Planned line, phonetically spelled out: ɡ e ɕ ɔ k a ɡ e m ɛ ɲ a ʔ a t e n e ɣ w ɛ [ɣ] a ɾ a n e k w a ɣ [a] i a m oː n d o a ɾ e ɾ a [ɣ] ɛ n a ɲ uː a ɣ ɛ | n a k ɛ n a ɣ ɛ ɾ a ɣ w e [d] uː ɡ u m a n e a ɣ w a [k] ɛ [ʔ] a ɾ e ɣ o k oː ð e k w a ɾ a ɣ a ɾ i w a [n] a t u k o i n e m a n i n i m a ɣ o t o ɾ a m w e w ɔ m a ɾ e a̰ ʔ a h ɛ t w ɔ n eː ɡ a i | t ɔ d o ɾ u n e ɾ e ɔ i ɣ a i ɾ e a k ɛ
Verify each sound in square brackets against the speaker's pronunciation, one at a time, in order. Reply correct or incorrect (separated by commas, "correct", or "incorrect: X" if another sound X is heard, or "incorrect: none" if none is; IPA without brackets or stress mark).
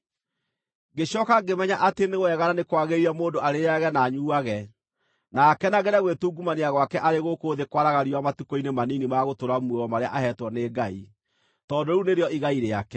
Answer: correct, incorrect: e, correct, incorrect: t, correct, correct, incorrect: m